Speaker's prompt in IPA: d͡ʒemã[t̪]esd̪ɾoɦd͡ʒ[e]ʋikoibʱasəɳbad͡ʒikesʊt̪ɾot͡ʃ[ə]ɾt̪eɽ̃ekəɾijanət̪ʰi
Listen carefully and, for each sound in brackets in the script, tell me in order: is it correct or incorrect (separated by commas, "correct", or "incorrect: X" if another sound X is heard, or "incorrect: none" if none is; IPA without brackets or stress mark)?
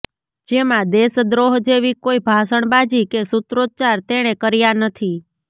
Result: incorrect: d̪, correct, incorrect: a